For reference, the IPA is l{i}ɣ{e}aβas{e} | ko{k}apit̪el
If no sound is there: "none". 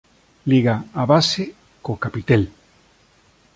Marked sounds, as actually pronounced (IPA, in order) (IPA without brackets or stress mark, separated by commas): i, a, e, k